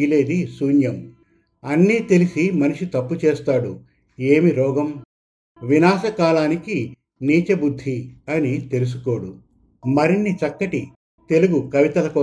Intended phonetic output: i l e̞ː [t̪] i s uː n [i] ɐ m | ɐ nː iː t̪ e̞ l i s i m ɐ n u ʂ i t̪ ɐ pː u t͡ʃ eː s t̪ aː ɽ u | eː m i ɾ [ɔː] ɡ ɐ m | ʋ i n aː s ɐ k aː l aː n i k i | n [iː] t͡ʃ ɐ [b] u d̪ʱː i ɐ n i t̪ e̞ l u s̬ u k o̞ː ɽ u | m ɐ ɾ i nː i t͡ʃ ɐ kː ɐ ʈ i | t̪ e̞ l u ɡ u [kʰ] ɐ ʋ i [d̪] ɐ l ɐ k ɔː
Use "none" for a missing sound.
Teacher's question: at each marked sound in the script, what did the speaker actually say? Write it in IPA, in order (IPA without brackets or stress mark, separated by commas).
d̪, j, ɔː, iː, b, k, t̪